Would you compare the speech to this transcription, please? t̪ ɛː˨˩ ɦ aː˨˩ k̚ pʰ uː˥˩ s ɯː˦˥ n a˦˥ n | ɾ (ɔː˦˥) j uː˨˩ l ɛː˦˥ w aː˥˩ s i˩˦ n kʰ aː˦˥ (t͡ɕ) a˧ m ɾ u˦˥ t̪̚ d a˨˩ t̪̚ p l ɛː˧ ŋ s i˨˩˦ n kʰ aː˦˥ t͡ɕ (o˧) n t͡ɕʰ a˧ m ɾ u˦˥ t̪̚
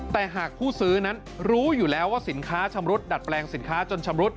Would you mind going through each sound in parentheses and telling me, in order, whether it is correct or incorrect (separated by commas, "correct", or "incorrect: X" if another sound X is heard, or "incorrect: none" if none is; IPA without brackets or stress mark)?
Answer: incorrect: uː˦˥, incorrect: t͡ɕʰ, correct